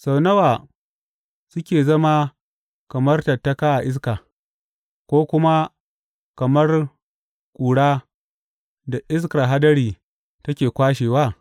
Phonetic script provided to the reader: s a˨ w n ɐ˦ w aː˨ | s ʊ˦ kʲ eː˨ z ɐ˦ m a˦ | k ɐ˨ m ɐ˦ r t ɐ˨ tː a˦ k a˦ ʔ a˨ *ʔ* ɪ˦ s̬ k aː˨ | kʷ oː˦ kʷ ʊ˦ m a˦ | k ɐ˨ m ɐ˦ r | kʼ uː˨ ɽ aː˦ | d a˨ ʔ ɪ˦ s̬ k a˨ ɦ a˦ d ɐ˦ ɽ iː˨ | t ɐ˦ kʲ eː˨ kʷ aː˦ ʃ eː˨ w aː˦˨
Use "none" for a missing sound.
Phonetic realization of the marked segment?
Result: ʔ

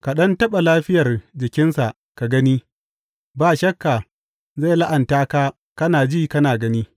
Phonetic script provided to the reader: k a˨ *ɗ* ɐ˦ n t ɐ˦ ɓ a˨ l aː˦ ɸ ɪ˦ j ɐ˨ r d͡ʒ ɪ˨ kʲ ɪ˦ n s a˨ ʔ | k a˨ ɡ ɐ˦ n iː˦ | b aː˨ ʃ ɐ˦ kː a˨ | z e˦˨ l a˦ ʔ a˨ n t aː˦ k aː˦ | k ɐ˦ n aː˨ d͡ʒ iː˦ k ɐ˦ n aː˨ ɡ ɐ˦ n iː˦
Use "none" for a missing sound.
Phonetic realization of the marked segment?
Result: ɗ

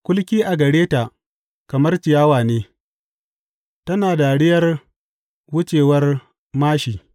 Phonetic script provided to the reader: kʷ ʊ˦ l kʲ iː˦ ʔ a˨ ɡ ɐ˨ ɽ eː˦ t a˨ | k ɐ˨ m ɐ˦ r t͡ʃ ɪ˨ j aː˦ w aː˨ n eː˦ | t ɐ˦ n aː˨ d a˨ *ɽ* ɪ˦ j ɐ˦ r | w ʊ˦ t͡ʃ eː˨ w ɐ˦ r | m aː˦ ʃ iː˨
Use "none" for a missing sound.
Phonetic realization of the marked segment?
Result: ɽ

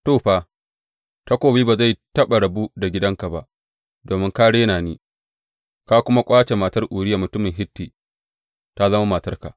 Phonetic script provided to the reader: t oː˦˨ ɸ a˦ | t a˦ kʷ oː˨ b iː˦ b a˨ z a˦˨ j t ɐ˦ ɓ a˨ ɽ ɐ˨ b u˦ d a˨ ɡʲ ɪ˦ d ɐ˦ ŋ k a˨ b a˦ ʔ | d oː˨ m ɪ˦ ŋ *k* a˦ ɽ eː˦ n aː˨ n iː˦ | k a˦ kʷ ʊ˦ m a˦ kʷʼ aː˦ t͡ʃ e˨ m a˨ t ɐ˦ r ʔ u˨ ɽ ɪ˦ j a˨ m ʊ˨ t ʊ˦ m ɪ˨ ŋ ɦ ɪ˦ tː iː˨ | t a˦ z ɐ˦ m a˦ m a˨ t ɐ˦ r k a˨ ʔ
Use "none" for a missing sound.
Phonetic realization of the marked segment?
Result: k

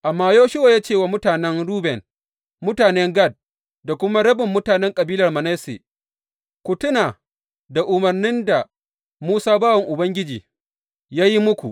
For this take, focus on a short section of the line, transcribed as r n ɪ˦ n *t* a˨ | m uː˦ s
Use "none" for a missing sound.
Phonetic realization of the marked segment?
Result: d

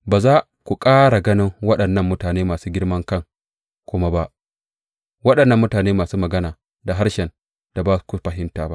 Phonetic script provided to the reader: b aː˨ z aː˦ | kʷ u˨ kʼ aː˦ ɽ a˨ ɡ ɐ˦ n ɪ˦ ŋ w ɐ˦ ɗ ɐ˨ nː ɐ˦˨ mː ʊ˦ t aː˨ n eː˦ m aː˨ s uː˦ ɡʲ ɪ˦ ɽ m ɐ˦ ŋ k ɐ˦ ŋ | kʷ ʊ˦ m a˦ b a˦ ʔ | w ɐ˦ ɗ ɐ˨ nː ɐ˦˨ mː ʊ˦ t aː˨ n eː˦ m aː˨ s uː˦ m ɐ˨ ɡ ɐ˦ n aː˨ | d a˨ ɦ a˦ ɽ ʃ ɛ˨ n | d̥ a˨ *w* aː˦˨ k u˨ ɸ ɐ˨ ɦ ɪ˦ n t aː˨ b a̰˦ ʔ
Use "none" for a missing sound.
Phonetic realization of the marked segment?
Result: b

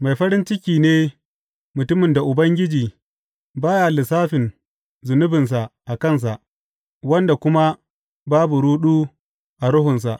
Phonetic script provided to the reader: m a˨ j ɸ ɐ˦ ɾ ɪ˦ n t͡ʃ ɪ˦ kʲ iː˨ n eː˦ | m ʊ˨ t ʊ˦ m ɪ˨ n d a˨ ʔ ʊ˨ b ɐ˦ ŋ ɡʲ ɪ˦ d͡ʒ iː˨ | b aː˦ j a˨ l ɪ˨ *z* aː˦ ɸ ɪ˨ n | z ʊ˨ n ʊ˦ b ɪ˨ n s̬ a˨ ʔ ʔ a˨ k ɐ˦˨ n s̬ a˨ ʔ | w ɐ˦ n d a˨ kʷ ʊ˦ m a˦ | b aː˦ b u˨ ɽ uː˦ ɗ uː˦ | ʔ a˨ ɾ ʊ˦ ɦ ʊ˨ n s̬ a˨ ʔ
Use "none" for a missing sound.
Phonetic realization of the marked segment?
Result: s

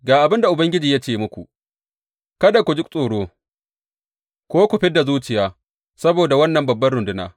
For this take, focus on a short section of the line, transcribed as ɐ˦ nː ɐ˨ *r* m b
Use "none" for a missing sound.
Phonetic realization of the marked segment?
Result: none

